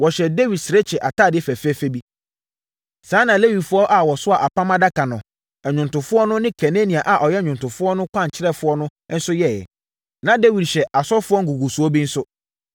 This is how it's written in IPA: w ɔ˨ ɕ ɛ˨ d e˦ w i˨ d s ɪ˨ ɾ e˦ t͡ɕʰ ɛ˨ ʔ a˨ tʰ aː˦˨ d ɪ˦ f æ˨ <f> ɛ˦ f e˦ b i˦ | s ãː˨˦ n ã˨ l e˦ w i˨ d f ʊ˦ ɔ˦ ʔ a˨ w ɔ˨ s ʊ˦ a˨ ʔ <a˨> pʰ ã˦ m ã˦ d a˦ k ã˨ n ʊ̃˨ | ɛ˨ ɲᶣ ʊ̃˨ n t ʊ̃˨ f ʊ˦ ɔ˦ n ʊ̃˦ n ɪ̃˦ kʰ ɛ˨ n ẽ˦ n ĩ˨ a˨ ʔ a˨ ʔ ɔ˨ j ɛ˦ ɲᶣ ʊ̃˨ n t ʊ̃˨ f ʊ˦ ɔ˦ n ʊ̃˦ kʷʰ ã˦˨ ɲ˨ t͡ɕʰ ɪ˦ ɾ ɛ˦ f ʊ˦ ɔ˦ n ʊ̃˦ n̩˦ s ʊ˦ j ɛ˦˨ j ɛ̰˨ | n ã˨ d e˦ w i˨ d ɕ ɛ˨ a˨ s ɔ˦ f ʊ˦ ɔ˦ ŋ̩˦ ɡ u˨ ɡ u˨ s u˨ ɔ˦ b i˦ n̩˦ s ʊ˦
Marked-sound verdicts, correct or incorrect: correct, correct

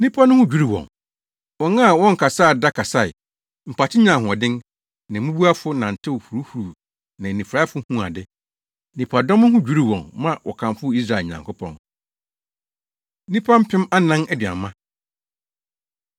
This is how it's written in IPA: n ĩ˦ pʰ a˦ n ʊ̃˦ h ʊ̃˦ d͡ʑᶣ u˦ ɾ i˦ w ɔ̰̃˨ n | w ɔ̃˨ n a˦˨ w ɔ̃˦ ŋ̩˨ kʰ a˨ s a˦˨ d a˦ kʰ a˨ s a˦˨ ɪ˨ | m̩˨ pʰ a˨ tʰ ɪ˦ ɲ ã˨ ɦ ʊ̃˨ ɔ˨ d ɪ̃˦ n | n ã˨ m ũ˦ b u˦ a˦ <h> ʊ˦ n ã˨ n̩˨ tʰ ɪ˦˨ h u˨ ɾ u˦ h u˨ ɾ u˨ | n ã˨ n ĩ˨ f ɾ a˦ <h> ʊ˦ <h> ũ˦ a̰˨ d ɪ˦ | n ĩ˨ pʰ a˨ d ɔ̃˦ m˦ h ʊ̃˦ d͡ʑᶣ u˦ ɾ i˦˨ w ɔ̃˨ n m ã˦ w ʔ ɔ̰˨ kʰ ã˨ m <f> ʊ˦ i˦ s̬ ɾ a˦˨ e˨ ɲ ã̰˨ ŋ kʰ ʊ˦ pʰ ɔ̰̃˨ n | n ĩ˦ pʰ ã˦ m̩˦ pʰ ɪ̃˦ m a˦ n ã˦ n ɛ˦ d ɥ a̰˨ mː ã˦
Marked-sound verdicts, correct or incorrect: incorrect: f, incorrect: f, correct, correct

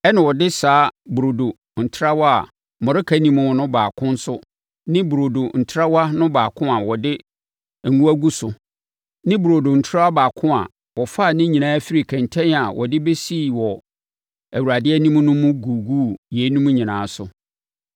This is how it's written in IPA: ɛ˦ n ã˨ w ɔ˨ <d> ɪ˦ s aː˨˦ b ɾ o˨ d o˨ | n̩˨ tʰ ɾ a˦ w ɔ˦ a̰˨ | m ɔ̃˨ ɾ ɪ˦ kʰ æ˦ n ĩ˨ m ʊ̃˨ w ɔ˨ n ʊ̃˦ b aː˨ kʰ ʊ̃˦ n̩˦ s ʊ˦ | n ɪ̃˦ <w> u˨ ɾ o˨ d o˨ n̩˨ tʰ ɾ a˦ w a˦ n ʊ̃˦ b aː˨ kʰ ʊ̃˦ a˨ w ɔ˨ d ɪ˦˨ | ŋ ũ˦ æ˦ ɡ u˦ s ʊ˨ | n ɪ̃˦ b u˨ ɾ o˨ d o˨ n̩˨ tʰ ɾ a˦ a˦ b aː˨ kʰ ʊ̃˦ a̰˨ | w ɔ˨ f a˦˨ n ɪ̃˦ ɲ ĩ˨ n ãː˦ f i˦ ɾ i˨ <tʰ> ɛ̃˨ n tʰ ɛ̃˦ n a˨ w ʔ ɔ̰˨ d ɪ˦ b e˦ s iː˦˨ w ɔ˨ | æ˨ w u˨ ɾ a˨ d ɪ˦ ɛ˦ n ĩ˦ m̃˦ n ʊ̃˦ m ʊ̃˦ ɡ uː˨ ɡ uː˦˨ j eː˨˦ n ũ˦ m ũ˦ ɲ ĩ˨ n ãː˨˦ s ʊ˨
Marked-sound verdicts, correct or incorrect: correct, incorrect: b, incorrect: kʰ

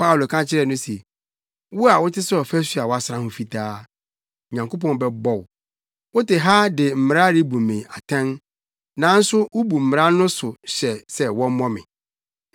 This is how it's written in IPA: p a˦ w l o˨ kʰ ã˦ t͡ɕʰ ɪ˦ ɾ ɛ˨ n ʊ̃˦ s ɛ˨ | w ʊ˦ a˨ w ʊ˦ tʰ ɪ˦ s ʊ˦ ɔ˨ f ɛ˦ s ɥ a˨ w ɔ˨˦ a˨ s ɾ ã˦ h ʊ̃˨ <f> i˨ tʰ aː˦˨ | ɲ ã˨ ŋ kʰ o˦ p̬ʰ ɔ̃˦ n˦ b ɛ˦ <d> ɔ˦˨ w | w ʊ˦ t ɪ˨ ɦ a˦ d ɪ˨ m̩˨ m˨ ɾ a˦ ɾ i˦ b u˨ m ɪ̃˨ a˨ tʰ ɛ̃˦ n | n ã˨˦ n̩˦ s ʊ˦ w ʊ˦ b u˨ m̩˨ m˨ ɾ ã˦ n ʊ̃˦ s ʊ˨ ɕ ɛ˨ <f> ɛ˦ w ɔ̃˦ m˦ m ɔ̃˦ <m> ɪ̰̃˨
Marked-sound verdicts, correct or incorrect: correct, incorrect: b, incorrect: s, correct

